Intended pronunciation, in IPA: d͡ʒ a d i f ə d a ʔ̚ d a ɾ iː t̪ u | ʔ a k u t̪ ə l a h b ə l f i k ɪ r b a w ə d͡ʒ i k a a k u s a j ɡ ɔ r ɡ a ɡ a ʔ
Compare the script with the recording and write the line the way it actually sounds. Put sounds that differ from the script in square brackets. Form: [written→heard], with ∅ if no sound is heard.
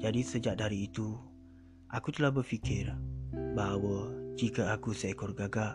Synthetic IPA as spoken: d͡ʒ a d i [f→s] ə [d→d͡ʒ] a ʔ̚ d a ɾ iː t̪ u | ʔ a k u t̪ ə l a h b ə [l→r] f i k ɪ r b a w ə d͡ʒ i k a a k u s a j [ɡ→k] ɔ r ɡ a ɡ a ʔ